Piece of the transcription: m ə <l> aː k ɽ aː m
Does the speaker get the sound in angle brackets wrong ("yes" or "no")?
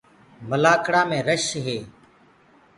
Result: no